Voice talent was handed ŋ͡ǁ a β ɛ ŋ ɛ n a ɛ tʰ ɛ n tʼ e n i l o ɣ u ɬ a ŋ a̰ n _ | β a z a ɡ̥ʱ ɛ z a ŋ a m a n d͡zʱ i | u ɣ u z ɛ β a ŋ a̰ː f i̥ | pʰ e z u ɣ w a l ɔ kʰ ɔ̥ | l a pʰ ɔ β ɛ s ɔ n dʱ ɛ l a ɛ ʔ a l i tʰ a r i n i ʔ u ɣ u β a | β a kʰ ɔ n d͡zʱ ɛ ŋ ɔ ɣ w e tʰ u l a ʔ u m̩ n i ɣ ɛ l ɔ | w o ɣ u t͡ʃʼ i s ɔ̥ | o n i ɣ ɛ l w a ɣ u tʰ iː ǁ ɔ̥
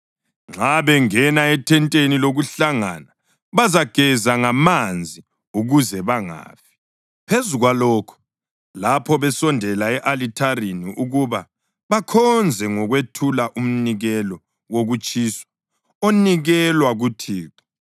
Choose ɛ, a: a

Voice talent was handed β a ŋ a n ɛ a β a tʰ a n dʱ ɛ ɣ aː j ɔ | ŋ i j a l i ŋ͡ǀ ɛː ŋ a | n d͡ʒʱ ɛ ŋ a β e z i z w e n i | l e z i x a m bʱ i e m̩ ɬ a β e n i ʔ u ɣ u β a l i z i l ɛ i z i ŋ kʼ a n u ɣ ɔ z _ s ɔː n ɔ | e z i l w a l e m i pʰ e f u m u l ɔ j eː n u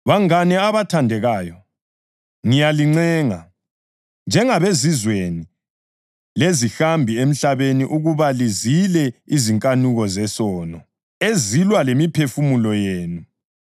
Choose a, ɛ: ɛ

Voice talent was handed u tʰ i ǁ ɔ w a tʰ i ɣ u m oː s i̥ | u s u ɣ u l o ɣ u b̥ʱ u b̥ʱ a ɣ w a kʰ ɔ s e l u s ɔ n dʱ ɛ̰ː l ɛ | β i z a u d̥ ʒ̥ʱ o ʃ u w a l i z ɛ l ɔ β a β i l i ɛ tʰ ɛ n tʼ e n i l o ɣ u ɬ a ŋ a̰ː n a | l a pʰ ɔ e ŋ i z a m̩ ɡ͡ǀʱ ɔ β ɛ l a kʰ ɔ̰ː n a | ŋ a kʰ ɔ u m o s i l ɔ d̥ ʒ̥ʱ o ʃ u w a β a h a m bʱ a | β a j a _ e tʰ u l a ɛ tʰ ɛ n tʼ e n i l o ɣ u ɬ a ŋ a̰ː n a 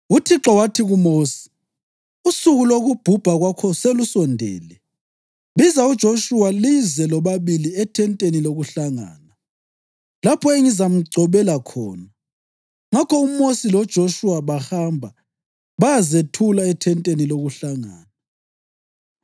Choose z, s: z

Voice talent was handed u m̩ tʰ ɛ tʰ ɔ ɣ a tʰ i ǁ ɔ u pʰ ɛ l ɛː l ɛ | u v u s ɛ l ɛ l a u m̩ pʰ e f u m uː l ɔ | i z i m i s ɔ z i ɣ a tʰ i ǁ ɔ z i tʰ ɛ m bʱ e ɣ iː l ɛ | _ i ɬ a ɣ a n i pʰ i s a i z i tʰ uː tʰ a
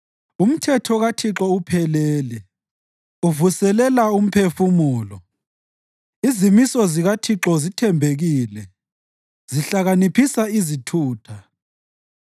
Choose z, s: z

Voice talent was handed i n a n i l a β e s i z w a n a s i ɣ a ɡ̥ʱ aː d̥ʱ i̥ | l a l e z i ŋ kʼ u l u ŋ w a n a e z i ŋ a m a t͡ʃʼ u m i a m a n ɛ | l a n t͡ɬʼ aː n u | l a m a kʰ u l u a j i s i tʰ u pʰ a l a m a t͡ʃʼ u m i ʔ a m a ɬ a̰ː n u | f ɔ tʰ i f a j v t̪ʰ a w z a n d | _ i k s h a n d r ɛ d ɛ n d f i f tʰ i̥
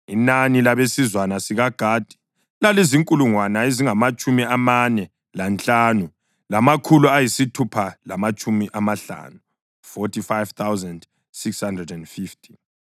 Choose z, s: s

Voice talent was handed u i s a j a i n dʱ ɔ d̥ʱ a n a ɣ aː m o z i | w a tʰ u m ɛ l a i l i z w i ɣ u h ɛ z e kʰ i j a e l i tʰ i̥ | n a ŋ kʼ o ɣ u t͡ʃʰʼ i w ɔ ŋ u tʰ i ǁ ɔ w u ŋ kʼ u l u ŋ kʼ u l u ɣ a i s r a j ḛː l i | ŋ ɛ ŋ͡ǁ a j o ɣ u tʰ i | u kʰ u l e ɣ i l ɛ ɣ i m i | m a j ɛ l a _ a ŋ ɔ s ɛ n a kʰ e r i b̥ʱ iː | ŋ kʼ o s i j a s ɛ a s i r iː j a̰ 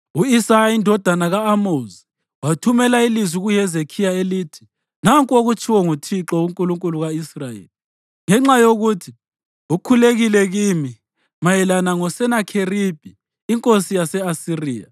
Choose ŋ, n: n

